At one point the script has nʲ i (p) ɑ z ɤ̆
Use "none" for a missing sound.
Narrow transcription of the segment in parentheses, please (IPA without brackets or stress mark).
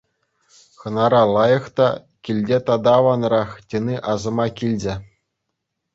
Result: ʔ